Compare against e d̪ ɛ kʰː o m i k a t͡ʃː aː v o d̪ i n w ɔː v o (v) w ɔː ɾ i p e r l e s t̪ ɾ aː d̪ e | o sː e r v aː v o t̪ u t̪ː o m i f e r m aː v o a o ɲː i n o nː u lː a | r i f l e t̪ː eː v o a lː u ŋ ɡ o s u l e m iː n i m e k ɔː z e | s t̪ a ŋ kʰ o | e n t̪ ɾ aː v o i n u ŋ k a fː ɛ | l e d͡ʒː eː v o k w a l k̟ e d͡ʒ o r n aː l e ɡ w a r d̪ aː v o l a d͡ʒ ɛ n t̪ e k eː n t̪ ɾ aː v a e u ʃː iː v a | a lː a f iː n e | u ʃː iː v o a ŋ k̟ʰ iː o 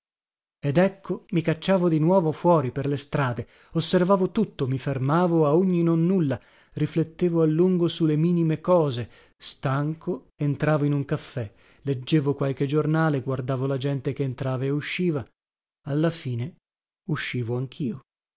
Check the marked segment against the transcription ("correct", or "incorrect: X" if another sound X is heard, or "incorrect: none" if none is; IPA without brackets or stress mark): incorrect: f